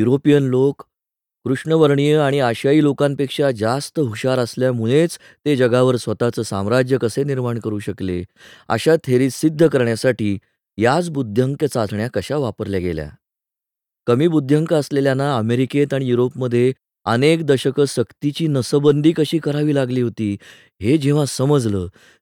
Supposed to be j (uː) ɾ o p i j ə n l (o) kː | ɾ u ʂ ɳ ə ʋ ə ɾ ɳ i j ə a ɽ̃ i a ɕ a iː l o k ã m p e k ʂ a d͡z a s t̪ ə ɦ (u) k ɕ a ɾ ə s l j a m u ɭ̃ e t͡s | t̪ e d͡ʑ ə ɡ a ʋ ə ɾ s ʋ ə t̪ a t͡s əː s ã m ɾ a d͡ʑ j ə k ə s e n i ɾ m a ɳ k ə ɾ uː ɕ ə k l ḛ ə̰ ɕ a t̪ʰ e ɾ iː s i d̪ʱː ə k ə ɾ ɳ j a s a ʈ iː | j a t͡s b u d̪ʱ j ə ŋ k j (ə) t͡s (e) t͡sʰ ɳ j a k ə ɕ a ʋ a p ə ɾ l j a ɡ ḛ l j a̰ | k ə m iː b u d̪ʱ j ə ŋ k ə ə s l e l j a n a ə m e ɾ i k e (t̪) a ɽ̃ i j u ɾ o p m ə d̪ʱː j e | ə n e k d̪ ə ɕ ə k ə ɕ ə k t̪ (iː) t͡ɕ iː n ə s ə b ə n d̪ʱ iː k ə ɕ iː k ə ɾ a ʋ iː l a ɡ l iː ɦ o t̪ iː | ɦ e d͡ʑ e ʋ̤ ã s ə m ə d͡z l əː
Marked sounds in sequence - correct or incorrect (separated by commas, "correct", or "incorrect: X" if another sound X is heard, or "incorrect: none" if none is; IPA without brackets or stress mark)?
incorrect: u, correct, correct, correct, incorrect: a, correct, incorrect: i